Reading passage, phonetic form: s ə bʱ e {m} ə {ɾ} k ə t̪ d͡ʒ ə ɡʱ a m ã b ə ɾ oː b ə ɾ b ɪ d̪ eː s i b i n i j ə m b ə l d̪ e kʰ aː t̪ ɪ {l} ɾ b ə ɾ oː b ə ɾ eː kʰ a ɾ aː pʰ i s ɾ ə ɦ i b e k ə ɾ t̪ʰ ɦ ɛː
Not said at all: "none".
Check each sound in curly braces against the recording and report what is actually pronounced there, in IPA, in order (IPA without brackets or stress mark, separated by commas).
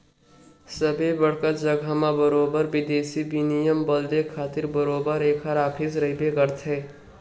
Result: b, ɽ, none